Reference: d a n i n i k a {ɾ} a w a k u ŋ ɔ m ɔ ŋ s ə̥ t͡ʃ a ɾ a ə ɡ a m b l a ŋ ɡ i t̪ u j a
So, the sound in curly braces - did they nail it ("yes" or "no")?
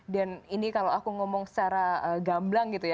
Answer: no